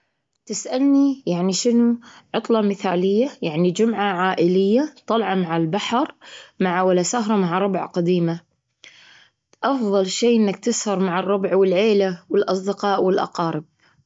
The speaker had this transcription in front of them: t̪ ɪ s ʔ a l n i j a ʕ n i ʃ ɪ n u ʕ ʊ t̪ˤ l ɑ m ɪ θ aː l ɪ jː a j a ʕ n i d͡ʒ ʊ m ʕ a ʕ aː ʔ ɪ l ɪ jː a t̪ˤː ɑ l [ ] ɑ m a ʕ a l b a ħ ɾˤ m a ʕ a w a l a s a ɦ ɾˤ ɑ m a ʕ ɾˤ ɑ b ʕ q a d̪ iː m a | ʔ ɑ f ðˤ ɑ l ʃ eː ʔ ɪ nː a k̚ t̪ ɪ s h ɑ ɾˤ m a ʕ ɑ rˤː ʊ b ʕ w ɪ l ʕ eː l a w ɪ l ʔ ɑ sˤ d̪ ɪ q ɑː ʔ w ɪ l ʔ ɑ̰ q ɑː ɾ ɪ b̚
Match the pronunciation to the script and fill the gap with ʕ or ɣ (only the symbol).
ʕ